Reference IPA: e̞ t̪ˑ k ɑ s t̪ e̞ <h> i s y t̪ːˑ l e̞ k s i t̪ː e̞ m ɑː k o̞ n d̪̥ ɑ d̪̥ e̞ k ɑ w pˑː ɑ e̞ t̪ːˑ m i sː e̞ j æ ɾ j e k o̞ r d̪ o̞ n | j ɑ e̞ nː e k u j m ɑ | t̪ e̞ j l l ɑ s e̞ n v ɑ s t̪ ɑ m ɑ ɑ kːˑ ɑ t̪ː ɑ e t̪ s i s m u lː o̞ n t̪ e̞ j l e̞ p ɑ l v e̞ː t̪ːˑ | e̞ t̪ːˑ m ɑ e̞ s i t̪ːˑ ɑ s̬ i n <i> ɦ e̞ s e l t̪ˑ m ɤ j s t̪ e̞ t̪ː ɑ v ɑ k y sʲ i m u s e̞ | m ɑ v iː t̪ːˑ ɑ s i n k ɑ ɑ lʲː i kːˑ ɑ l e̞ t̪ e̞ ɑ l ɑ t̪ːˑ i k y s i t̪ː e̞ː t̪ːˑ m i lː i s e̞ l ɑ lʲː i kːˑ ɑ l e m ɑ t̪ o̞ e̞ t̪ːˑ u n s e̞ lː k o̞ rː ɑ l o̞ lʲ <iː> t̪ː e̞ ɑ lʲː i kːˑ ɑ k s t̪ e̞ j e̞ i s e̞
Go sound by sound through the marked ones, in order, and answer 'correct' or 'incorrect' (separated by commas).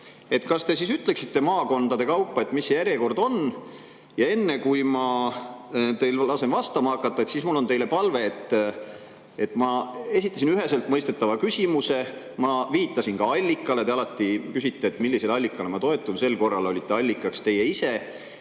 incorrect, incorrect, incorrect